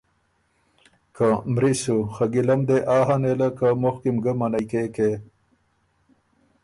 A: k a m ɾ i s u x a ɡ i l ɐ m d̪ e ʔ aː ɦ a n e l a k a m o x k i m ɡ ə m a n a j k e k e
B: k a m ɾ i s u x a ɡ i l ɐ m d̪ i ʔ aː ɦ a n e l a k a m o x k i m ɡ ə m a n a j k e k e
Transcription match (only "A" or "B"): A